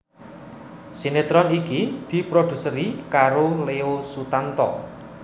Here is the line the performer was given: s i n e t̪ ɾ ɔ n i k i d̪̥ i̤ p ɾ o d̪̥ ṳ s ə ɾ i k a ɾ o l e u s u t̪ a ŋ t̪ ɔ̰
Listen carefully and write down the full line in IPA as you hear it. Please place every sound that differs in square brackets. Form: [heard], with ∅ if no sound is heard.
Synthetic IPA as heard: s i n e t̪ ɾ ɔ n i k i d̪̥ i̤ p ɾ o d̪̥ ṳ s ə ɾ i k a ɾ o l e [o] s u t̪ a [n] t̪ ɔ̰